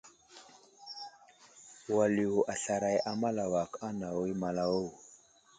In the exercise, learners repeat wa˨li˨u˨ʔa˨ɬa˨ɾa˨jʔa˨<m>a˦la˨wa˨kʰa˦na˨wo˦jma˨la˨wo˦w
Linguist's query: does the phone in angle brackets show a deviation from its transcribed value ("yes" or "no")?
no